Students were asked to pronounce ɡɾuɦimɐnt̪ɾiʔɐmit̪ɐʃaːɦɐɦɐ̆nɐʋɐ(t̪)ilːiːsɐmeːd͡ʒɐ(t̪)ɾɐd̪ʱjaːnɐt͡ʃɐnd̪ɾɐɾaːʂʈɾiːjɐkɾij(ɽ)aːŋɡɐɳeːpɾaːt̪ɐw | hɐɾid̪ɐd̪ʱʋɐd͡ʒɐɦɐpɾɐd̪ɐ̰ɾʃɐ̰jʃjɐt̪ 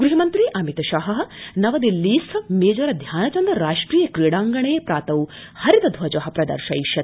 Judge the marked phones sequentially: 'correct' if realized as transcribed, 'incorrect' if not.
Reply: incorrect, incorrect, correct

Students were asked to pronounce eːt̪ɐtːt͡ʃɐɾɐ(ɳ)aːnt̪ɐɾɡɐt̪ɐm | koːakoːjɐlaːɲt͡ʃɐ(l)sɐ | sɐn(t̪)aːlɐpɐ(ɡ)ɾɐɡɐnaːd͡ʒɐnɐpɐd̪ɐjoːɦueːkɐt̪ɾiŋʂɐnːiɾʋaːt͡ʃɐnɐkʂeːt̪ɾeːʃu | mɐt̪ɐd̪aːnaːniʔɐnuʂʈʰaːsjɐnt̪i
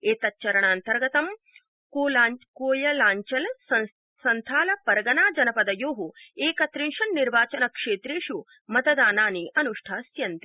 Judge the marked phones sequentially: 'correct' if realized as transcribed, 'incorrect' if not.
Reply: correct, correct, incorrect, incorrect

